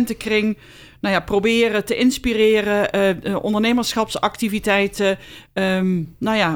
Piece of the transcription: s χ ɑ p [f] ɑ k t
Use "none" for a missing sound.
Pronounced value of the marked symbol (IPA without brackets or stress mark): s